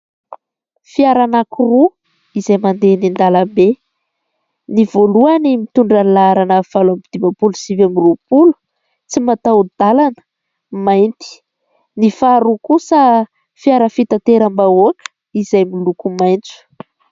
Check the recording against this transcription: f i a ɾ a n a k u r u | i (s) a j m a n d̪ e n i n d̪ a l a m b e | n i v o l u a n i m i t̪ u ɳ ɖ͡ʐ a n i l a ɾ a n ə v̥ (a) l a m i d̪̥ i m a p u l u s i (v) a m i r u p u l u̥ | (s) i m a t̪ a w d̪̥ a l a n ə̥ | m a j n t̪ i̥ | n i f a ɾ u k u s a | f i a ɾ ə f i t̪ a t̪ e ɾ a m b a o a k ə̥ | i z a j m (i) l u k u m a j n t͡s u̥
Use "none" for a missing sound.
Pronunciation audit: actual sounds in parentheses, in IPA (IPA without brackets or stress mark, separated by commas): z, a, v, t͡s, i